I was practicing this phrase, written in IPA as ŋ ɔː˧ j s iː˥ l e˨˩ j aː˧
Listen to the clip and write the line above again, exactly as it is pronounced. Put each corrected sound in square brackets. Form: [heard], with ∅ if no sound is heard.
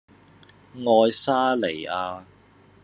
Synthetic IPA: ŋ ɔː˧ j s [aː˥] l e˨˩ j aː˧